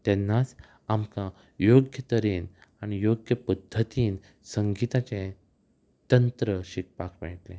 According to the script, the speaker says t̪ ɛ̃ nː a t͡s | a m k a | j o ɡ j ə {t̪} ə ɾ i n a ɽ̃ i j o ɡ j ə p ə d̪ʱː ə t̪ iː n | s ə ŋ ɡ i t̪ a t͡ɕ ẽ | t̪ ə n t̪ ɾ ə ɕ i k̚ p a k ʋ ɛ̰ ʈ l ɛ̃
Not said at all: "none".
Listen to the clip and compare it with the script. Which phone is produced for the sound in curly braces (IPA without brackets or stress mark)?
t̪